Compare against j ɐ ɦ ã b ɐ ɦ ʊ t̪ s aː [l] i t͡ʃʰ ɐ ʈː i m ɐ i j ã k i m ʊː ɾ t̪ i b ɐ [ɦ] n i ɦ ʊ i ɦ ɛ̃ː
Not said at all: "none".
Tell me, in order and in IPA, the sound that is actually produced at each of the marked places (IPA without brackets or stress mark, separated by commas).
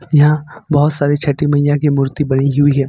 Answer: ɾ, none